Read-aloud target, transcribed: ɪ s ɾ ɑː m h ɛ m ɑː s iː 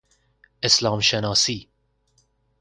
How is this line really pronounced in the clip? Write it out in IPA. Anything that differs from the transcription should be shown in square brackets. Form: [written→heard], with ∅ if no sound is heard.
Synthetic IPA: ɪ s [ɾ→l] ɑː m [h→ʃ] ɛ [m→n] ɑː s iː